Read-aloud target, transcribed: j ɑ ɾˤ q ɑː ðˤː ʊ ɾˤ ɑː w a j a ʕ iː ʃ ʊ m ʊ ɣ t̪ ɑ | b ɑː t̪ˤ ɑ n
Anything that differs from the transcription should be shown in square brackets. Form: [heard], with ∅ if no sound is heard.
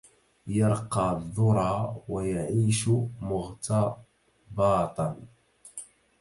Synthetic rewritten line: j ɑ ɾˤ q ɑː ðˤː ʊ ɾˤ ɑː w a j a ʕ iː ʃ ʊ m ʊ ɣ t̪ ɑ | b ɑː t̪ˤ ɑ n